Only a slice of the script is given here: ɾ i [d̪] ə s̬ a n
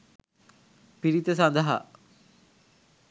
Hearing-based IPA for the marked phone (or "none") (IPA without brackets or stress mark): t̪